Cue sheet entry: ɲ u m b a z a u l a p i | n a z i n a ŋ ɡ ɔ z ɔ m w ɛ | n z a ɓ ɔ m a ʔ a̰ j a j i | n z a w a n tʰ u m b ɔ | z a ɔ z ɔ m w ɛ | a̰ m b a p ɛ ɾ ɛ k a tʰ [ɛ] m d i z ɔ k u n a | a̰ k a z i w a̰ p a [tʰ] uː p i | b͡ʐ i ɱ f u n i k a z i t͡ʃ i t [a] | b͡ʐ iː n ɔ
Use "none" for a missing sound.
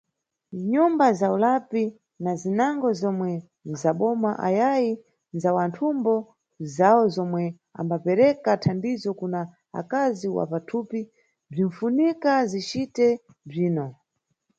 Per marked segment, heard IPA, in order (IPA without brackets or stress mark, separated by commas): a, tʰ, ɛ